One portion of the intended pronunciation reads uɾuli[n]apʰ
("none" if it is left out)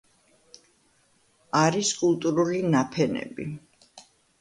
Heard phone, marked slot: n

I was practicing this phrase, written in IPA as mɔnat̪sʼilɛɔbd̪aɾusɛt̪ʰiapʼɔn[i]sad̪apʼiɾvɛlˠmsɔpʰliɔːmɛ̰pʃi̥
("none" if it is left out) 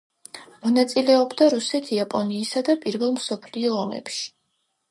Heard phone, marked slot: iː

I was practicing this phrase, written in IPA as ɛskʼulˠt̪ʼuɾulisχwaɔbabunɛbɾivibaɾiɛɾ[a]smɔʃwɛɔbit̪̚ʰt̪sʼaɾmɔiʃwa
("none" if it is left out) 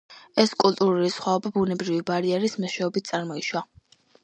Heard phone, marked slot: i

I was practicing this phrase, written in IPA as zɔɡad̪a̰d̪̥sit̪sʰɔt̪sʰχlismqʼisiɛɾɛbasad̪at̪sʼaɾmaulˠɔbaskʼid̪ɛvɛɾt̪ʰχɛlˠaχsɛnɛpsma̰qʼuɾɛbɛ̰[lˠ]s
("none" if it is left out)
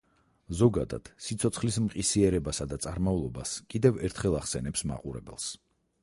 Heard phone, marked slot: lˠ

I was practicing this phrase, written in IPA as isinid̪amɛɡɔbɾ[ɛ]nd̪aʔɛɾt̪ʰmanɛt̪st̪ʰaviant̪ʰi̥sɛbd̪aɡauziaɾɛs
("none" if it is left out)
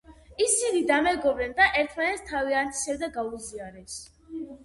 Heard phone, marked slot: ɛ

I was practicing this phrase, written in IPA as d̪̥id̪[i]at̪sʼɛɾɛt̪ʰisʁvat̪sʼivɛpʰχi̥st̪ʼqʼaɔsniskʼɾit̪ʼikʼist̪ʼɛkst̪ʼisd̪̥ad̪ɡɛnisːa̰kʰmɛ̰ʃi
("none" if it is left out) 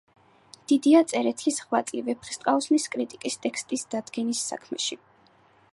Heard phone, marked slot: i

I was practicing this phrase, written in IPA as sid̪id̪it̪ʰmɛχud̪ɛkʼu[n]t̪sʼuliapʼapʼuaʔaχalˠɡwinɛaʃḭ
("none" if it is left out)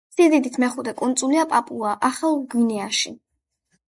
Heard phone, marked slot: n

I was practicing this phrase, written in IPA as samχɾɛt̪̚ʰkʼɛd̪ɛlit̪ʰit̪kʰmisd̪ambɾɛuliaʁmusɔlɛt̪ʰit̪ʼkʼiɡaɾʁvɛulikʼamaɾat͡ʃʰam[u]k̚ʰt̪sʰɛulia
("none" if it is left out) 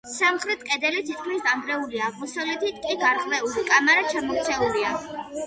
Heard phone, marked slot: ɔ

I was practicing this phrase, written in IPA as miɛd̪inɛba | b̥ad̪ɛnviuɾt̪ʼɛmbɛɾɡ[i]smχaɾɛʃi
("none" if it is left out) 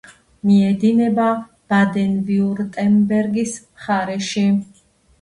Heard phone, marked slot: i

